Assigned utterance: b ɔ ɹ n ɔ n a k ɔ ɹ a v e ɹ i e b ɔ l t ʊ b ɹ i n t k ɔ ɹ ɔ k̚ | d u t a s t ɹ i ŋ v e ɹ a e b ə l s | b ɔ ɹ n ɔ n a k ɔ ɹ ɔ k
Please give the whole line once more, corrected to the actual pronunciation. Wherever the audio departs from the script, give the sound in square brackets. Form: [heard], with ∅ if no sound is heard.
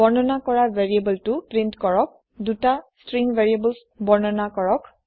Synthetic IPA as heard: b ɔ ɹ n ɔ n a k ɔ ɹ a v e ɹ i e b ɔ l t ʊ [p] ɹ i n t k ɔ ɹ ɔ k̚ | d u t a s t ɹ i ŋ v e ɹ [i] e b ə l s | b ɔ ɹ n ɔ n a k ɔ ɹ ɔ k